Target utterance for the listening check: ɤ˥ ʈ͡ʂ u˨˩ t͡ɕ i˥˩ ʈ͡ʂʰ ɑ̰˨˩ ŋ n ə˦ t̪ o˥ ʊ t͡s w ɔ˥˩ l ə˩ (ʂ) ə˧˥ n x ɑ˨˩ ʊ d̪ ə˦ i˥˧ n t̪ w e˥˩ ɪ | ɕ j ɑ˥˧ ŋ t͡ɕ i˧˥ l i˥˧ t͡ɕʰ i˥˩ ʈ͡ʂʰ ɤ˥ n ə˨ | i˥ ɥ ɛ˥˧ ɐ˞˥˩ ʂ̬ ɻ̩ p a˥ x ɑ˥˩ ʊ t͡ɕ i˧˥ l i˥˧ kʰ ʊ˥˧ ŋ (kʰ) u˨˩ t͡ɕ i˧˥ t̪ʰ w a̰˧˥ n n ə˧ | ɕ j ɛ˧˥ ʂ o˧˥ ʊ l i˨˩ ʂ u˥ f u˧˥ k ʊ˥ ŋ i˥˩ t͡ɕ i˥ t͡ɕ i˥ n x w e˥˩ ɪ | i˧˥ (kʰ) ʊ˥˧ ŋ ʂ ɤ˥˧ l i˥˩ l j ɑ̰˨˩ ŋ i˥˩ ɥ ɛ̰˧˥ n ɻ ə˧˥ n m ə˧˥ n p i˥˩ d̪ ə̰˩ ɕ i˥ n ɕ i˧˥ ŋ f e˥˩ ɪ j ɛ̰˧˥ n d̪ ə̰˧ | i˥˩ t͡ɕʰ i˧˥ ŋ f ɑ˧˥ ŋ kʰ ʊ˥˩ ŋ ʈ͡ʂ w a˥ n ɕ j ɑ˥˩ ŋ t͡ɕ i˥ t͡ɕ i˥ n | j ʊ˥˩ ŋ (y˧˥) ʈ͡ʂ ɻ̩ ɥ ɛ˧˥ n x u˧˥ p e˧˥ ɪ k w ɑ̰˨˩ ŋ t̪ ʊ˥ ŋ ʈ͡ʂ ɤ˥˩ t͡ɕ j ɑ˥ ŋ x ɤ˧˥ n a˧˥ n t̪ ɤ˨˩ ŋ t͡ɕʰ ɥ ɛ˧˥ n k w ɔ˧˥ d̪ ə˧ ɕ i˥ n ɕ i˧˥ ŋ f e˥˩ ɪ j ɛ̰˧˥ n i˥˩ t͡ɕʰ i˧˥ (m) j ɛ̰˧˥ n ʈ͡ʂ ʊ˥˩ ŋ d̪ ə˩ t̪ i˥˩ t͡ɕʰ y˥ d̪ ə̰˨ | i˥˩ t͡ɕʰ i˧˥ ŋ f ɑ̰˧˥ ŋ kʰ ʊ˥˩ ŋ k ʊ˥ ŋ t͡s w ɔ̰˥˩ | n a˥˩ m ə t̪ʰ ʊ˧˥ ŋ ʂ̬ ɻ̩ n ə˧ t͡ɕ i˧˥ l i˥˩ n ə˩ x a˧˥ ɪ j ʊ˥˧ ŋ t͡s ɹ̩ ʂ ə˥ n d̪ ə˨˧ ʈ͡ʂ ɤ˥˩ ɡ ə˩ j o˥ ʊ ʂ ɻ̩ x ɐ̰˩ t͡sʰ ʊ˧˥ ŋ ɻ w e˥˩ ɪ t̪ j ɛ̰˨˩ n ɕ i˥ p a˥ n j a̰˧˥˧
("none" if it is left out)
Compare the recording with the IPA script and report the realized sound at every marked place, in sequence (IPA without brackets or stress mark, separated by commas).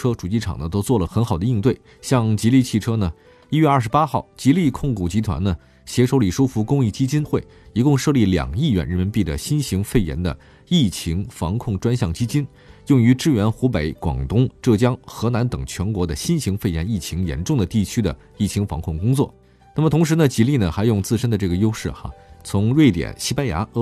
x, k, k, y˧˥, ŋ